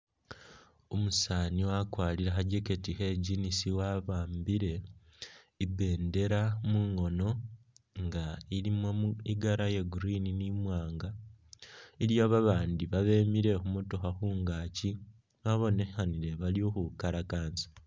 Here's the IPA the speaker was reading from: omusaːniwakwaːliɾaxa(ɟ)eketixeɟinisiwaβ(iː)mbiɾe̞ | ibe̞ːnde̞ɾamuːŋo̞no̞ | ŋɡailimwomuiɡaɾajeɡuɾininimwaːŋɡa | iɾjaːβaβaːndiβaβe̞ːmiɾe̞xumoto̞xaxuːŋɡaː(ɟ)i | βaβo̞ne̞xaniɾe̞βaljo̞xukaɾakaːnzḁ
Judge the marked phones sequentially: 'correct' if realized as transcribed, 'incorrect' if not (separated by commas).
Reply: correct, incorrect, incorrect